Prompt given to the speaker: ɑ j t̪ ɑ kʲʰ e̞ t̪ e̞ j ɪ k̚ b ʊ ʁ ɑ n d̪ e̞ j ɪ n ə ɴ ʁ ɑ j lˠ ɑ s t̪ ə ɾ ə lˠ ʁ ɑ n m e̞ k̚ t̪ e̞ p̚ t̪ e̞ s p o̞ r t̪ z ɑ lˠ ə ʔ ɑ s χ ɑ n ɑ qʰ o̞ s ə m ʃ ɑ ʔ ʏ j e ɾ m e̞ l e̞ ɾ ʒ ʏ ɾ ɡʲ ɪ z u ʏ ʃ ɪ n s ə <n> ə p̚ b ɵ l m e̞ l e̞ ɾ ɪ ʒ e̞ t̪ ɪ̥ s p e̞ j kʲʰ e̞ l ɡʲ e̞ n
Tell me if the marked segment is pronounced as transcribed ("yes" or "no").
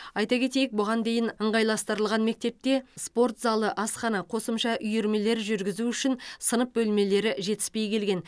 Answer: yes